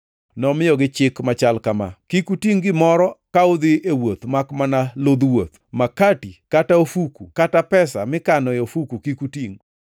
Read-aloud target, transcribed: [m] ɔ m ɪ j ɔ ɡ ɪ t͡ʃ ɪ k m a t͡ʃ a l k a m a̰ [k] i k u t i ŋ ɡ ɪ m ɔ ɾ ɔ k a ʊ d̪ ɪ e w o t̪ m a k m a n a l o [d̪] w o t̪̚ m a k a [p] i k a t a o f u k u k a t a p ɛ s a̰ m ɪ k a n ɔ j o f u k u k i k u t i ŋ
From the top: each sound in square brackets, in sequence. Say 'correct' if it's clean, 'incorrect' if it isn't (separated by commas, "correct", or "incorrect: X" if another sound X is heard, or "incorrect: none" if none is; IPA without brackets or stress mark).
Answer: incorrect: n, correct, correct, incorrect: t